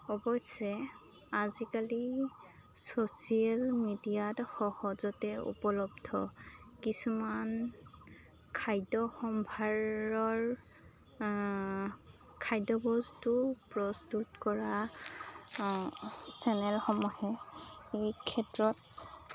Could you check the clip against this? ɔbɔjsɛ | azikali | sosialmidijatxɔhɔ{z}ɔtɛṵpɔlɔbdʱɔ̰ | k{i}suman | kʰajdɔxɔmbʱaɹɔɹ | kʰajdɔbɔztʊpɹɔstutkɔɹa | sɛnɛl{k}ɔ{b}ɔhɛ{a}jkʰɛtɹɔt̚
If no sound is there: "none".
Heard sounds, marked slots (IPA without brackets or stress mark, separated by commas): z, i, x, m, e